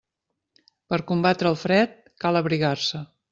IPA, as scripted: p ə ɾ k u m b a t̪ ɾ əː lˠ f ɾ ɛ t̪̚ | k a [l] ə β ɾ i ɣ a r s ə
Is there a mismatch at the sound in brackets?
no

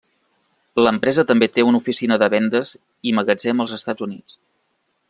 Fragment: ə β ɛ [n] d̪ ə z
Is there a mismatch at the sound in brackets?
no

